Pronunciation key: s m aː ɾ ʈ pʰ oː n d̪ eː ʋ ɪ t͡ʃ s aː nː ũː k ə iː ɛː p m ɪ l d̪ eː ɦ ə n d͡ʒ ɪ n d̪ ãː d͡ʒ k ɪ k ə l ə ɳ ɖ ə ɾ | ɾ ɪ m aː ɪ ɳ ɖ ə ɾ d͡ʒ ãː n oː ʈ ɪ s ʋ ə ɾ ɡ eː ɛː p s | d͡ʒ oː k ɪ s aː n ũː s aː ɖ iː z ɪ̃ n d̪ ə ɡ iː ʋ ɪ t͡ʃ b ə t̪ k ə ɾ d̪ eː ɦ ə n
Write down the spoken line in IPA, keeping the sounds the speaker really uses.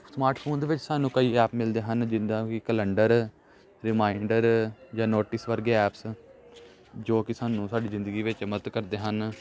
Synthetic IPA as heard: s m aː ɾ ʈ pʰ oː n d̪ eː ʋ ɪ t͡ʃ s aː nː ũː k ə iː ɛː p m ɪ l d̪ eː ɦ ə n d͡ʒ ɪ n d̪ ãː k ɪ k ə l ə ɳ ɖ ə ɾ | ɾ ɪ m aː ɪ ɳ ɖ ə ɾ d͡ʒ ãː n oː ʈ ɪ s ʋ ə ɾ ɡ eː ɛː p s | d͡ʒ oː k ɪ s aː n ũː s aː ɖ iː z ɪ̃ n d̪ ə ɡ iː ʋ ɪ t͡ʃ m ə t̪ k ə ɾ d̪ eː ɦ ə n